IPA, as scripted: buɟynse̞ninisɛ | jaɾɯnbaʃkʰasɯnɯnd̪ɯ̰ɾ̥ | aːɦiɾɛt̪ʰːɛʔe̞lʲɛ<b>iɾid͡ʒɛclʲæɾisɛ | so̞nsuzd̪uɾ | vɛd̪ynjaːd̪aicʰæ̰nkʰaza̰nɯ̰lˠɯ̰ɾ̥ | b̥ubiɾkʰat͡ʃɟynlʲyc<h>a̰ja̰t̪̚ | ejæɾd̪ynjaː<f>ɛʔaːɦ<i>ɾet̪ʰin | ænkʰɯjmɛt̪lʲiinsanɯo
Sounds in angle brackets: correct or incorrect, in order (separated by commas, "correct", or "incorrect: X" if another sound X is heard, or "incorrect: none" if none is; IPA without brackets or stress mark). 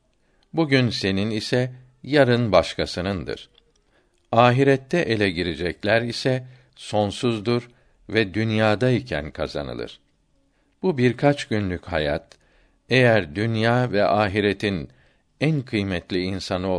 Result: incorrect: ɟ, correct, incorrect: v, correct